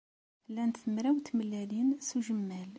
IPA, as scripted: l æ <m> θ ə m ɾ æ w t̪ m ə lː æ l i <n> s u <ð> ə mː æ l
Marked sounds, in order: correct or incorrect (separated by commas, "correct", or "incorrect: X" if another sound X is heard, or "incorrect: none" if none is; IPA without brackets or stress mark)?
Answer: incorrect: n, correct, incorrect: ʒ